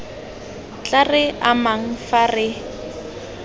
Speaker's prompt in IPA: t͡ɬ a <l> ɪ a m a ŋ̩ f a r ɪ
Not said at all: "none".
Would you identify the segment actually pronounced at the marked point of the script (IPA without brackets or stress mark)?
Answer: r